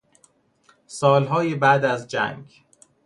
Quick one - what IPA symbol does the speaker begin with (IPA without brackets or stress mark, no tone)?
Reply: s